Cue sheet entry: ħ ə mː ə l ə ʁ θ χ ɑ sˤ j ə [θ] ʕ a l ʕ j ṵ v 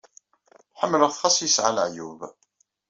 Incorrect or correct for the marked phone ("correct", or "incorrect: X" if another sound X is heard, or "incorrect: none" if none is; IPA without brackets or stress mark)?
incorrect: s